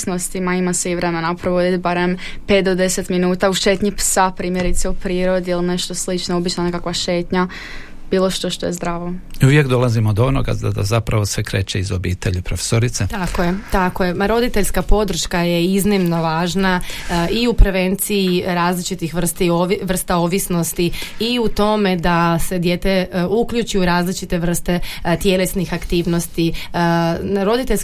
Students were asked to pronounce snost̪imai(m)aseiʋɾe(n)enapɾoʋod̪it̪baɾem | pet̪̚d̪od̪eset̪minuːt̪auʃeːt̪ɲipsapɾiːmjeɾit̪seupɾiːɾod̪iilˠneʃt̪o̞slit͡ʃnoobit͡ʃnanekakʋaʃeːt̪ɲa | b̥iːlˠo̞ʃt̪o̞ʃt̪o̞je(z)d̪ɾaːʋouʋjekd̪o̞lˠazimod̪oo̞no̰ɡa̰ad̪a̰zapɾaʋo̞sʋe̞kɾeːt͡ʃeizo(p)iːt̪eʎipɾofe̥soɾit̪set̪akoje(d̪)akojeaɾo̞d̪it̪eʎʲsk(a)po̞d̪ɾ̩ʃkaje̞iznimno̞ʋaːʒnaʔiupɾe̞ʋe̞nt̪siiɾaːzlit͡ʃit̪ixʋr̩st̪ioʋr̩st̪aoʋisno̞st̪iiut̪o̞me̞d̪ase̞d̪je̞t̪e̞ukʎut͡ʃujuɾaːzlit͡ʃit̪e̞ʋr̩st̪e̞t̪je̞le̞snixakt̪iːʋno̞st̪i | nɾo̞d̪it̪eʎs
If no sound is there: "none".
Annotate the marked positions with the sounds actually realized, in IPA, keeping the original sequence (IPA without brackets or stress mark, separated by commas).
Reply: m, m, z, b, t̪, a